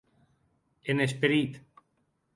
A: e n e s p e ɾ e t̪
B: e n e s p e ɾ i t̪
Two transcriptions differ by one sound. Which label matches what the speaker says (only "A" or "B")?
B